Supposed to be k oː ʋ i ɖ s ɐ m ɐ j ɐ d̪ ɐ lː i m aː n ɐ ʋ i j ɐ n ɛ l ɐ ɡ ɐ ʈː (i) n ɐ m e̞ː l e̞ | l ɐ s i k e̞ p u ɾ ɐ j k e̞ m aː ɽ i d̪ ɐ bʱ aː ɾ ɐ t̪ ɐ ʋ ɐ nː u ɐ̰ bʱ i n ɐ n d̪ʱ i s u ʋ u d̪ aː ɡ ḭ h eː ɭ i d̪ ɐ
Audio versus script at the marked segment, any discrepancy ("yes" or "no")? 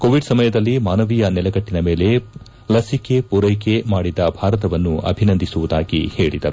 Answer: no